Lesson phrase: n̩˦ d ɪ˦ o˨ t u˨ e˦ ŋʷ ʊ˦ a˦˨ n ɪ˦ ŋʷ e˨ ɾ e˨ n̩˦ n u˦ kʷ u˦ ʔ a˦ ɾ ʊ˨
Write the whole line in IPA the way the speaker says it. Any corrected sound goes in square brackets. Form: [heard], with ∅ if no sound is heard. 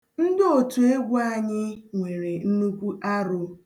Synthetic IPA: n̩˦ d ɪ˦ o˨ t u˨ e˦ [ɡʷ] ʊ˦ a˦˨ [ɲ] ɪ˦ ŋʷ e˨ ɾ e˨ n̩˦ n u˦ kʷ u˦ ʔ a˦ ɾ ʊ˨

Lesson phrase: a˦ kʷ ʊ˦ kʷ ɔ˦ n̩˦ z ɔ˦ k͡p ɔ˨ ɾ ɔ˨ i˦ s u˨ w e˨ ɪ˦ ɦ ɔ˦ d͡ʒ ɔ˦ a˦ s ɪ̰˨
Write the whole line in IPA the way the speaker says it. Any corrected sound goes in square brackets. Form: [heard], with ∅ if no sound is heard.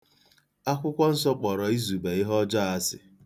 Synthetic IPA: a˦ kʷ ʊ˦ kʷ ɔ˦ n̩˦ [s] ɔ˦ k͡p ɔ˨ ɾ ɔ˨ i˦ [z] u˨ [b] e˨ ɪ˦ ɦ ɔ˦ d͡ʒ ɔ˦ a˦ s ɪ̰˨

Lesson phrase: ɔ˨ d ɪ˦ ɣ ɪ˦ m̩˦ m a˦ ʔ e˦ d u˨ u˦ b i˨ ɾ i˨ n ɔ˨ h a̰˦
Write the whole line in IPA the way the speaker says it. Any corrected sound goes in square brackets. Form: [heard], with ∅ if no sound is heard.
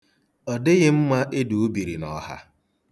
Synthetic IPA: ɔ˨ d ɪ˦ ɣ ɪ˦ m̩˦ m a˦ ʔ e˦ d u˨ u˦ b i˨ ɾ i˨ n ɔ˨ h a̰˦

